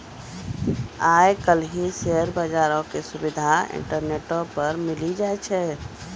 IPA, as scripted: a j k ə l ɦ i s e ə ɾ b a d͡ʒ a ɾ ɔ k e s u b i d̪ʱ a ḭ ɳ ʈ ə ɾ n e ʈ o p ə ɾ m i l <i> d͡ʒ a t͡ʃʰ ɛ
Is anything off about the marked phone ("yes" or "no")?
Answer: no